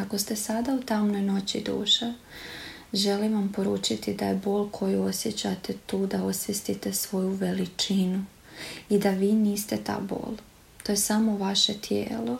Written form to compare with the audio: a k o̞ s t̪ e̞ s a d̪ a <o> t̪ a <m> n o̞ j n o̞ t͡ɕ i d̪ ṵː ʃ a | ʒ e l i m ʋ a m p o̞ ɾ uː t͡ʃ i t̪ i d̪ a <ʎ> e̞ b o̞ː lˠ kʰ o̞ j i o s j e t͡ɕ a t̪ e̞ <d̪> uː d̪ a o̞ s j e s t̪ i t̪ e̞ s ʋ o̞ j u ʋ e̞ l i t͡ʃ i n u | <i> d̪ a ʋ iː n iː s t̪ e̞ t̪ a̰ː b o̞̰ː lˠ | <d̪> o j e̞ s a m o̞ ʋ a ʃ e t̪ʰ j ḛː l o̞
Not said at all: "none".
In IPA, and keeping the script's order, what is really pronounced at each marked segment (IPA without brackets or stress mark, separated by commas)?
u, m, j, t̪, i, t̪